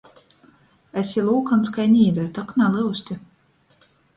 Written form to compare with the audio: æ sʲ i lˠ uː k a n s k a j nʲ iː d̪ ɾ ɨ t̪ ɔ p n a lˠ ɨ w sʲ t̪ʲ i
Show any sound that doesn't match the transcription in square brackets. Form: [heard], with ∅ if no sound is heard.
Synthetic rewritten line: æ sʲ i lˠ uː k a n s k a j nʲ iː d̪ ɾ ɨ t̪ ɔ [k] n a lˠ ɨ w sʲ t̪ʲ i